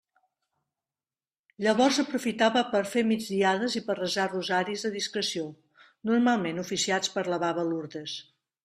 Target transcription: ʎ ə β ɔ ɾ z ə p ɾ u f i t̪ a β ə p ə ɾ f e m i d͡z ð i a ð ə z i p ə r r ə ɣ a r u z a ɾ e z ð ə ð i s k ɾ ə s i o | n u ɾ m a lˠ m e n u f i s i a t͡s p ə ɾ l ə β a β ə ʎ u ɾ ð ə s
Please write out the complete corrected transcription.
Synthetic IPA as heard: ʎ ə β ɔ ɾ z ə p ɾ u f i t̪ a β ə p ə ɾ f e m i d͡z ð i a ð ə z i p ə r r ə z a r u z a ɾ i z ð ə ð i s k ɾ ə s i o | n u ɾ m a lˠ m e n u f i s i a t͡s p ə ɾ l ə β a β ə l u ɾ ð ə s